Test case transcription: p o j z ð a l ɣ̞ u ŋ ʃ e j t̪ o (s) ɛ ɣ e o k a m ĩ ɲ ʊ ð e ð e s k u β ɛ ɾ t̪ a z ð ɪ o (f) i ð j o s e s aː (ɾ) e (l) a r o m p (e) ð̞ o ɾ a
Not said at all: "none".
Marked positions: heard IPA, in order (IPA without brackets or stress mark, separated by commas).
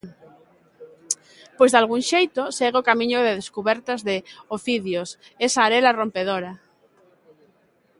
s, f, ɾ, l, e